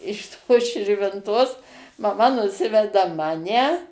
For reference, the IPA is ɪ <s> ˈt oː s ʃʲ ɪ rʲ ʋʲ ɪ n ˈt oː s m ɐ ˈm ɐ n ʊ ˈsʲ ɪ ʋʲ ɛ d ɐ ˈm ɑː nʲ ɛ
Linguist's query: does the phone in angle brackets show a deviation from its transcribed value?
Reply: yes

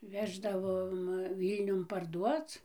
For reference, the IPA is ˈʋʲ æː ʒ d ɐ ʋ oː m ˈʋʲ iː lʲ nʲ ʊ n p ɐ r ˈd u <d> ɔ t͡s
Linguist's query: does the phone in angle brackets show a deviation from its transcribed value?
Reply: yes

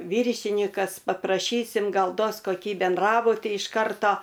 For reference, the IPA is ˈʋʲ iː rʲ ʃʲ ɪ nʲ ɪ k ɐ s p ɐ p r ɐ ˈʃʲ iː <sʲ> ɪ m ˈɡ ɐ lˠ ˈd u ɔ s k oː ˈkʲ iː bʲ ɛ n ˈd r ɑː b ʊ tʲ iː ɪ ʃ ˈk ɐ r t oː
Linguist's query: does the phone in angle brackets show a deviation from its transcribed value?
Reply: no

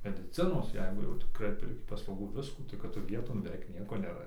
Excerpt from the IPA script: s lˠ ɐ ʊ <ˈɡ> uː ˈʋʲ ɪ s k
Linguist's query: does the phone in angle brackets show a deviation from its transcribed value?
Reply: no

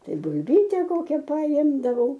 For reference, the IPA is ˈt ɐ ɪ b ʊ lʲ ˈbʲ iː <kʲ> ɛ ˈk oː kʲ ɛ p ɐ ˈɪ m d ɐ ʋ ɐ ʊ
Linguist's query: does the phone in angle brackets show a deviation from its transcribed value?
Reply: yes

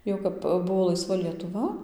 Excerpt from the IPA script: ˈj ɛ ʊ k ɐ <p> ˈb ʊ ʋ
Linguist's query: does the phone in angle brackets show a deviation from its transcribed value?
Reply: no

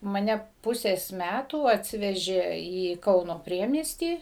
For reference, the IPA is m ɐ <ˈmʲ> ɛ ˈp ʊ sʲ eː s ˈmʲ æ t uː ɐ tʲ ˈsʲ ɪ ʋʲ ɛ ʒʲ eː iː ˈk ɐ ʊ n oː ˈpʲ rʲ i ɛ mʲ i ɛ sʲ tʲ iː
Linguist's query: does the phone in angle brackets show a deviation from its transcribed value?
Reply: yes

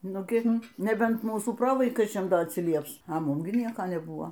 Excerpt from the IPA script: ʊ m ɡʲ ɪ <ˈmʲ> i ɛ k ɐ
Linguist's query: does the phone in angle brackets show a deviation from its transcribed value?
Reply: yes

